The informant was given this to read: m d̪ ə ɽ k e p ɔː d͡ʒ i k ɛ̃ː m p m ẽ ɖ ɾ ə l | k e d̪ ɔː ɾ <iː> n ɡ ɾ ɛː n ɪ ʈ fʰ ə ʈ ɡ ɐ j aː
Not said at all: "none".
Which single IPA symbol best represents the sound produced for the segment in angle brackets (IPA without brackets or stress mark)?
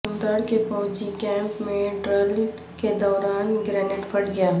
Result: aː